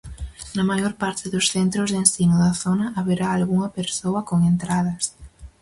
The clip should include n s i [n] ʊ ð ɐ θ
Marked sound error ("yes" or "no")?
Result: no